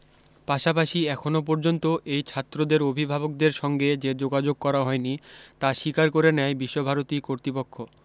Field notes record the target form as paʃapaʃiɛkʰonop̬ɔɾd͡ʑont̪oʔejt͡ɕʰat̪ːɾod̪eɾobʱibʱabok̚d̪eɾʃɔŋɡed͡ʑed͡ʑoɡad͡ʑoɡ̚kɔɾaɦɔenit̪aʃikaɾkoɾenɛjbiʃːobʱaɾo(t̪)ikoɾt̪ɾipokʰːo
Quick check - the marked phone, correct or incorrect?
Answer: correct